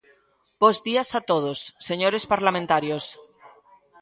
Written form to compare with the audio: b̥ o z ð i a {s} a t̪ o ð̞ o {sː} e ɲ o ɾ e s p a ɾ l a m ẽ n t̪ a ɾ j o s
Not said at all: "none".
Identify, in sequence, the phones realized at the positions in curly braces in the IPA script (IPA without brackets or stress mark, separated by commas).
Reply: s, sː